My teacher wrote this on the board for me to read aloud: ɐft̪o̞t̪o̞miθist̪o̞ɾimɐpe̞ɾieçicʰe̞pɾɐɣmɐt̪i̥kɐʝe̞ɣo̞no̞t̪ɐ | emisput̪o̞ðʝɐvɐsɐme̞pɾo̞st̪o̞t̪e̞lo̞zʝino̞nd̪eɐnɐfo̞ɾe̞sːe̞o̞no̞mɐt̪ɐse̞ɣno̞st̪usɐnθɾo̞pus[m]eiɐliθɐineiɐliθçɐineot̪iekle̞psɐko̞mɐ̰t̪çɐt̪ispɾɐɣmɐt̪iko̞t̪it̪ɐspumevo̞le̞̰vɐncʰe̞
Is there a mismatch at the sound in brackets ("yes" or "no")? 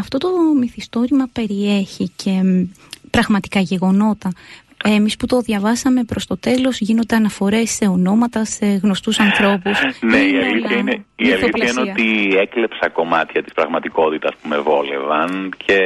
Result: yes